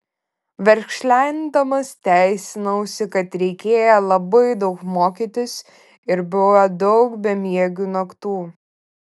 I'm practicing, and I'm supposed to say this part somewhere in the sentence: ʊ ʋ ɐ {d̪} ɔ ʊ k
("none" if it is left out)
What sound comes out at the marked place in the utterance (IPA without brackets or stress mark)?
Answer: d̪